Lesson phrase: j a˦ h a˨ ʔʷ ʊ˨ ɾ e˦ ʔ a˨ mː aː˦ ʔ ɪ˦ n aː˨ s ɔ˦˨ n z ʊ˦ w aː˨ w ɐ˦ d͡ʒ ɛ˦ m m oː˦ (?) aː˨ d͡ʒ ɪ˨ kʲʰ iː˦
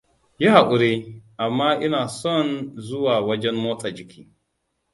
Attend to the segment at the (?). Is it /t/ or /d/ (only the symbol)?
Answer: t